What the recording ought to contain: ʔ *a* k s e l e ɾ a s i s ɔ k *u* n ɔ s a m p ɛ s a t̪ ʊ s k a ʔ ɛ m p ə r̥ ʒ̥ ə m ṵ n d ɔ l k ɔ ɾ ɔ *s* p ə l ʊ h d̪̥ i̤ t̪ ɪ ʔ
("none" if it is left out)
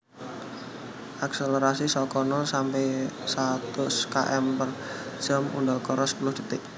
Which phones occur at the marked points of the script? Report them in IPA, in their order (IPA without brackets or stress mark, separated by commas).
a, ɔ, s